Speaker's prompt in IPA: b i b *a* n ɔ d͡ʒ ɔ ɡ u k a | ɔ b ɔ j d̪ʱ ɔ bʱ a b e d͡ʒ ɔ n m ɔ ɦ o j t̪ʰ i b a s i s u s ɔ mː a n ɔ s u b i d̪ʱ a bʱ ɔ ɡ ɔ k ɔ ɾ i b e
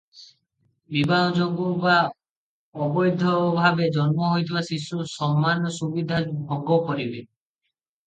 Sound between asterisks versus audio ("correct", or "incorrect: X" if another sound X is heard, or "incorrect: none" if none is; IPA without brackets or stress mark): correct